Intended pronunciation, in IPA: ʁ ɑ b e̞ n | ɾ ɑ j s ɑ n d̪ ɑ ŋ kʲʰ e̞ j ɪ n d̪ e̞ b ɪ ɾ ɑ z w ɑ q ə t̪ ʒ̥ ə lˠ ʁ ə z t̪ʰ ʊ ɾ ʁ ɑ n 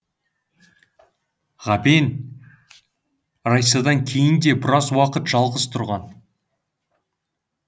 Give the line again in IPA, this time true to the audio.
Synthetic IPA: ʁ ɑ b e̞ n | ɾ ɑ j s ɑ d̪ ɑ ŋ kʲʰ e̞ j ɪ n d̪ e̞ b ɪ ɾ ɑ z w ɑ q ə t̪ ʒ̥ ɑ lˠ ʁ ə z t̪ʰ ʊ ɾ ʁ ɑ n

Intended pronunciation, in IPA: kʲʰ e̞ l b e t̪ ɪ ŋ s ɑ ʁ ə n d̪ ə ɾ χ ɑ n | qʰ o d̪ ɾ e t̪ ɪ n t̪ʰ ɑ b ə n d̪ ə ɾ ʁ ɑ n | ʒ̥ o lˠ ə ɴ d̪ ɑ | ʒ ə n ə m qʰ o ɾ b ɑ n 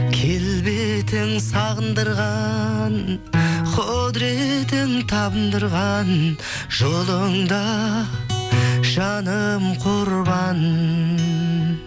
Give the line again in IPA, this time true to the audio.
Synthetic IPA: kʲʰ e̞ l b e t̪ ɪ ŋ s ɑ ʁ ə n d̪ ə ɾ ʁ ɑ n | qʰ o d̪ ɾ e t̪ ɪ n t̪ʰ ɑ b ə n d̪ ə ɾ ʁ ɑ n | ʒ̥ o lˠ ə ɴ d̪ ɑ | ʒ ɑ n ə m qʰ o ɾ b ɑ n

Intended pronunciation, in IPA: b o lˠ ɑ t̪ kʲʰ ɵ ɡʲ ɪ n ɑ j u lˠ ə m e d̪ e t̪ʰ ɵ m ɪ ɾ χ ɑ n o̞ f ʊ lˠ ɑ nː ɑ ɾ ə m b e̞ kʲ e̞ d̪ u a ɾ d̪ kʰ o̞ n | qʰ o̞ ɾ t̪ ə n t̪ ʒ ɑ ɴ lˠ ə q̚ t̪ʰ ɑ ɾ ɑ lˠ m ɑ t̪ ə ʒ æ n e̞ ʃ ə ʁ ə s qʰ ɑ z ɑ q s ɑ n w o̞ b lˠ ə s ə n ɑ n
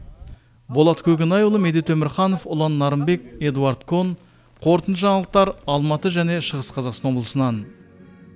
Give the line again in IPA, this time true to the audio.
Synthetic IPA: b o lˠ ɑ t̪ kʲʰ ɵ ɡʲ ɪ n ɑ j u lˠ ə m e d̪ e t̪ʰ ɵ m ɪ ɾ χ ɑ n o̞ f ʊ lˠ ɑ nː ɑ ɾ ə m b e̞ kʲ e̞ d̪ u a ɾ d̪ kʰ o̞ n | qʰ o̞ ɾ t̪ ə n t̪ ʒ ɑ ɴ lˠ ə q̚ t̪ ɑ ɾ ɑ lˠ m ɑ t̪ ə ʒ æ n e̞ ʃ ə ʁ ə s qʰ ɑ z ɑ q s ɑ n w o̞ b lˠ ə s ə n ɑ n

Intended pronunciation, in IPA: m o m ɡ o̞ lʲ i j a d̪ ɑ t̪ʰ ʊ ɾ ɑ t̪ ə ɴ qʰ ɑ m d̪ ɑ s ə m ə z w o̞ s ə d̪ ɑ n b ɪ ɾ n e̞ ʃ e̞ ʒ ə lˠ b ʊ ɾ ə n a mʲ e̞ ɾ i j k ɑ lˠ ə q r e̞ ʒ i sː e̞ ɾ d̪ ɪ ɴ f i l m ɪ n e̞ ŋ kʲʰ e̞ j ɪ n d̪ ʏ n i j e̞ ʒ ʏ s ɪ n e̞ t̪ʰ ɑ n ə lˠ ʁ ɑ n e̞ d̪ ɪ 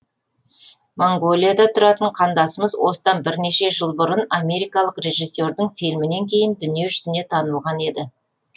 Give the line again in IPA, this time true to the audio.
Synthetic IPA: m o ŋ ɡ o̞ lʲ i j a d̪ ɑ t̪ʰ ʊ ɾ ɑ t̪ ə ɴ qʰ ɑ n d̪ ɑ s ə m ə z w o̞ s ə d̪ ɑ n b ɪ ɾ n e̞ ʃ e̞ ʒ ə lˠ b ʊ ɾ ə n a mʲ e̞ ɾ i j k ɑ lˠ ə q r e̞ ʒ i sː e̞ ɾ d̪ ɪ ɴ f i l m ɪ n e̞ ŋ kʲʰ e̞ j ɪ n d̪ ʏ n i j e̞ ʒ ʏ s ɪ n e̞ t̪ʰ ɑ n ə lˠ ʁ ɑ n e̞ d̪ ɪ

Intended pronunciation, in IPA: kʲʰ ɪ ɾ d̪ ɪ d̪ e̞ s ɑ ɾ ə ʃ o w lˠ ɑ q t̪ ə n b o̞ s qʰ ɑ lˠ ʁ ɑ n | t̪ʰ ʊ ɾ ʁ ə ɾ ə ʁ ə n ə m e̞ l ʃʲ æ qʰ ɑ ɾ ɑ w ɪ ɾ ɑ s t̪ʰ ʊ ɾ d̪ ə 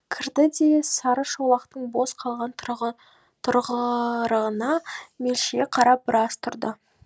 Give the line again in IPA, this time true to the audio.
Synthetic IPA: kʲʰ ɪ ɾ d̪ ɪ d̪ e̞ s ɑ ɾ ə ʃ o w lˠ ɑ q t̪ ə ɴ b o̞ s qʰ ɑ lˠ ʁ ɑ n | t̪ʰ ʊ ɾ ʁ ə ɾ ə ʁ ə n ɑ m e̞ l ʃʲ e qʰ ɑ ɾ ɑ b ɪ ɾ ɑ s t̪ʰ ʊ ɾ d̪ ə

